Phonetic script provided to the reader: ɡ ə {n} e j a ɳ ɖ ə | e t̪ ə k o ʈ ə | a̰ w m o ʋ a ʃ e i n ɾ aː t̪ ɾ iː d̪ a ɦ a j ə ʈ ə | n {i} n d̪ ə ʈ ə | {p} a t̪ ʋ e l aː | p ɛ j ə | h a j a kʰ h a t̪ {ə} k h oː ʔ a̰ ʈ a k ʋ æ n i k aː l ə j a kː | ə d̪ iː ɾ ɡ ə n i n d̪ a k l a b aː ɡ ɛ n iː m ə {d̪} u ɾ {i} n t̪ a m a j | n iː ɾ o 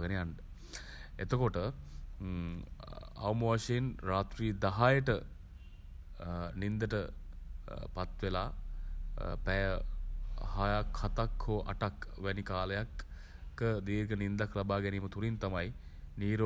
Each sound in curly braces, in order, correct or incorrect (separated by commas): correct, correct, correct, incorrect, incorrect, correct